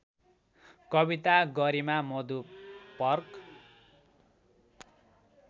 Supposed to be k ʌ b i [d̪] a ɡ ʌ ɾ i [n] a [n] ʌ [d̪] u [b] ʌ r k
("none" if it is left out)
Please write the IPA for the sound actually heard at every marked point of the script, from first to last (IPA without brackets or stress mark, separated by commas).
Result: t̪, m, m, d̪, p